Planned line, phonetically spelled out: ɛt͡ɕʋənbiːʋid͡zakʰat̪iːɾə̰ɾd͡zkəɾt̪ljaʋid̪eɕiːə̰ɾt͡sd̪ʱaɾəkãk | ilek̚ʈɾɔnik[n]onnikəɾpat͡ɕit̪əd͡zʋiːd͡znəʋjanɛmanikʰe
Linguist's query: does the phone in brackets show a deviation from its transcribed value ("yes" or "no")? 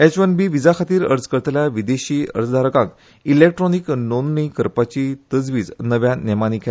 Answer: no